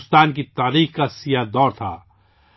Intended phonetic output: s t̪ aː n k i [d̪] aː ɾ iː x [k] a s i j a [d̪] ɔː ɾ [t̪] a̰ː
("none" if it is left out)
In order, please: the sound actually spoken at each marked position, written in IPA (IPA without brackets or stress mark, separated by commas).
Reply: t̪, k, d̪, t̪ʰ